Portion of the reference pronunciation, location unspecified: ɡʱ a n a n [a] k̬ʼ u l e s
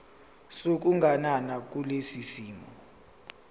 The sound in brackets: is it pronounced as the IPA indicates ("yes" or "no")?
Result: yes